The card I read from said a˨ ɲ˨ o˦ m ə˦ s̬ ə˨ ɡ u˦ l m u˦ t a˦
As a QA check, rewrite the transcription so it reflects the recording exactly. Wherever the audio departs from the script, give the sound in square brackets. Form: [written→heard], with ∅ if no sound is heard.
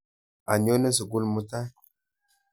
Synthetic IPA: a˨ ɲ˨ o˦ [m→n] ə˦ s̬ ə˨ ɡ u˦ l m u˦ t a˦